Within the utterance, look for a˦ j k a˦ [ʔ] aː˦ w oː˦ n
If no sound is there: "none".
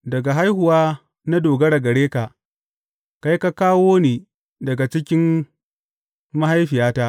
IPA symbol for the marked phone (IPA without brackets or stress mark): k